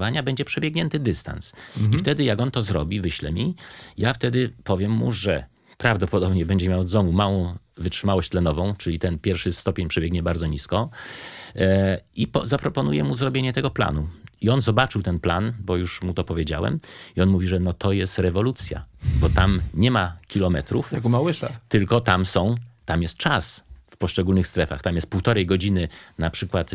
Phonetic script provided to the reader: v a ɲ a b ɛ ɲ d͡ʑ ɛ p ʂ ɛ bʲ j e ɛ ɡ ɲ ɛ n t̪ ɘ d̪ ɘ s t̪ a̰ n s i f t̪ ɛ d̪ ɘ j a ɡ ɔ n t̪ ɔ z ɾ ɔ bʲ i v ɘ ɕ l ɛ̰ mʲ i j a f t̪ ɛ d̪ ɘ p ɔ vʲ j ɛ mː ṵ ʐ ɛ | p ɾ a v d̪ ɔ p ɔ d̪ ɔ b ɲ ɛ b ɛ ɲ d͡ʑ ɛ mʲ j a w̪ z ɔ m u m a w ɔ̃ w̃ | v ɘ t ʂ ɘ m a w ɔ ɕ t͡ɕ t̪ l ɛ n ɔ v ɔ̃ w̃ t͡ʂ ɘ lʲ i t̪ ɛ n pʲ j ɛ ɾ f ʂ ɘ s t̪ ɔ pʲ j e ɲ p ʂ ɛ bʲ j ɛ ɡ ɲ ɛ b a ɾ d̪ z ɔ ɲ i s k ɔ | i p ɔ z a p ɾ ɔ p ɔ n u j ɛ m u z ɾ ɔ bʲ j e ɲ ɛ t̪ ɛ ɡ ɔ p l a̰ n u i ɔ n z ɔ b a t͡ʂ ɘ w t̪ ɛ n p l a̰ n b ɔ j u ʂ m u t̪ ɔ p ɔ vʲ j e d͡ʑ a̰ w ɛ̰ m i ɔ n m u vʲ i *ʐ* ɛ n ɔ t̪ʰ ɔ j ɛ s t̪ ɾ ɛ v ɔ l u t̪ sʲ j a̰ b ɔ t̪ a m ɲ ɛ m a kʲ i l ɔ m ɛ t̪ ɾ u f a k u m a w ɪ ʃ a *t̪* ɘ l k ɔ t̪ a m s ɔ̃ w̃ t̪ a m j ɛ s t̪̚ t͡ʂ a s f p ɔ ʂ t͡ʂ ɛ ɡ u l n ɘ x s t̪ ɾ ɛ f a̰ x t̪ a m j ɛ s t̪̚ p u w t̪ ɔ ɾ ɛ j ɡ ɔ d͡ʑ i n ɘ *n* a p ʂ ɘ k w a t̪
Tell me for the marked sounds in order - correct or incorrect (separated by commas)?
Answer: correct, correct, correct